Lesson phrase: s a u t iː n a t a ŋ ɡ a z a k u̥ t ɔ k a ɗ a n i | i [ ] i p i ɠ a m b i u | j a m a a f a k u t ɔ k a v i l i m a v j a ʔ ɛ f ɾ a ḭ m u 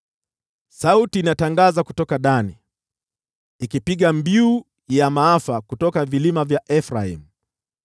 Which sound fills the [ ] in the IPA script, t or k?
k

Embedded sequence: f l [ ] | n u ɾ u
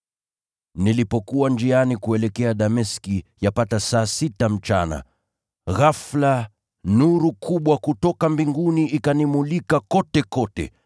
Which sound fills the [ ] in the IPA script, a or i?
a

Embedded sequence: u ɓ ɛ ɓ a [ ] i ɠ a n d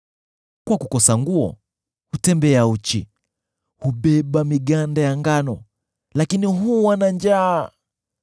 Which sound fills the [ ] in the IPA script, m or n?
m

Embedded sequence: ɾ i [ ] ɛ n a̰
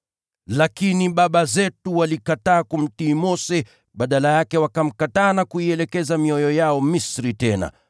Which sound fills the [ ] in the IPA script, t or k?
t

